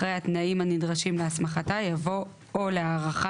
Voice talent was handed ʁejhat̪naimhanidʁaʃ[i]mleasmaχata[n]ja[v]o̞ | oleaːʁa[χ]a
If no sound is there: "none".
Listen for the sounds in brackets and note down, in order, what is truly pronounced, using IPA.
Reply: i, none, v, χ

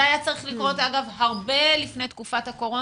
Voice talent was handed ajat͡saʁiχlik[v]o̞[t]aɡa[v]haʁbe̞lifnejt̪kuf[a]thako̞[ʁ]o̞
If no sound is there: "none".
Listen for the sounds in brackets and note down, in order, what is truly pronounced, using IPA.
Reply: ʁ, t, v, a, ʁ

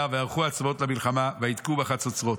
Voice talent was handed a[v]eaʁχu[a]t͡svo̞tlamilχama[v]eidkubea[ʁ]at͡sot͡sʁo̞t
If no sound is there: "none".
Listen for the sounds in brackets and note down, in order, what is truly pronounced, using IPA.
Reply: v, a, v, χ

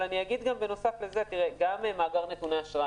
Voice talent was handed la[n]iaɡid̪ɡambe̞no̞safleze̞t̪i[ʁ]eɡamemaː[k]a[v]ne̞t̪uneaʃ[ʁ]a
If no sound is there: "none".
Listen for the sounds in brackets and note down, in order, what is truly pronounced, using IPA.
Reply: n, ʁ, ɡ, ʁ, ʁ

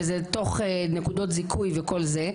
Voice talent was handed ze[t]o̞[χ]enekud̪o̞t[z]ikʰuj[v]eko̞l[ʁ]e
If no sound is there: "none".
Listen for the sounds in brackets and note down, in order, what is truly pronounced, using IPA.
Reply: t, χ, z, v, z

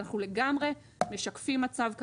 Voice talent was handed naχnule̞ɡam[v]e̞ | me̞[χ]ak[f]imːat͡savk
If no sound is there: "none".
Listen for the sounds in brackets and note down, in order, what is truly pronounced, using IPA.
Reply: ʁ, ʃ, f

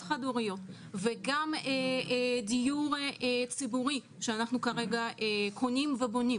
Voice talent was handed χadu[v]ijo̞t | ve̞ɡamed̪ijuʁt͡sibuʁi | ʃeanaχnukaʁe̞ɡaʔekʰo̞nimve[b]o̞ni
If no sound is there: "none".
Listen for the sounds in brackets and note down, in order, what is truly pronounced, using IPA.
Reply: ʁ, b

